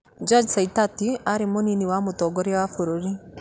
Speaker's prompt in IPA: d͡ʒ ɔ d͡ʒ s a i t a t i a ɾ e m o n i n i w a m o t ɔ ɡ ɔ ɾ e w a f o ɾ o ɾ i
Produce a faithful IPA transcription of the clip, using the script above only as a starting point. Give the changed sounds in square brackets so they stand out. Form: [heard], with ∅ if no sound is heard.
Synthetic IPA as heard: d͡ʒ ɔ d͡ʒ s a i t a t i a ɾ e m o n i n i w a m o t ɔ ɡ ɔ ɾ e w a f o ɾ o ɾ i